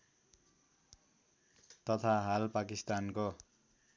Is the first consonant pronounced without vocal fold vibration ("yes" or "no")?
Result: yes